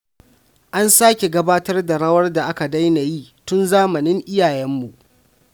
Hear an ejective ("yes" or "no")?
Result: no